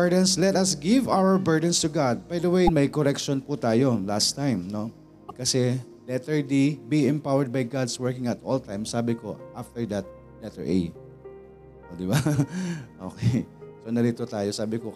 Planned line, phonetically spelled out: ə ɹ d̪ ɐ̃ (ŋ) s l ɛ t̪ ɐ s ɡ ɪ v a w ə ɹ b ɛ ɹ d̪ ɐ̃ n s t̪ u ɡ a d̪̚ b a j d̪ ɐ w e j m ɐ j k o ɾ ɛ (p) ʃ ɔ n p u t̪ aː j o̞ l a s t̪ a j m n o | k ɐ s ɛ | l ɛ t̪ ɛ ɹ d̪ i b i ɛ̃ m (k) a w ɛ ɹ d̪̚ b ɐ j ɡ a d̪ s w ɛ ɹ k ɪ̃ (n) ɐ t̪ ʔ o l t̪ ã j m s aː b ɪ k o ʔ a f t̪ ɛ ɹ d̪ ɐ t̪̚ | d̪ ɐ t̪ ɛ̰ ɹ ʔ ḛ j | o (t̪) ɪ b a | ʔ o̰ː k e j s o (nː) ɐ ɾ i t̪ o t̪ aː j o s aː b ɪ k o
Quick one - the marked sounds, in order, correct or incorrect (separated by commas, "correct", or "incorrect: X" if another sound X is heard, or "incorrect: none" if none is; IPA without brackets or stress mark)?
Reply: incorrect: n, incorrect: k, incorrect: p, incorrect: ŋ, incorrect: d̪, incorrect: n